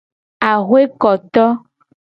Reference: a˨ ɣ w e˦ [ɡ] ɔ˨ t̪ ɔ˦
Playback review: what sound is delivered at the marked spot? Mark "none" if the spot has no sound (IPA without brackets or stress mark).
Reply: k